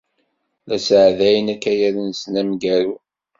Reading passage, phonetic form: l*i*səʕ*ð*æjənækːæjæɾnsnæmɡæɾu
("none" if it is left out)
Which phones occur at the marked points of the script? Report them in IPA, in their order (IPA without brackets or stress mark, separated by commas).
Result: æ, ð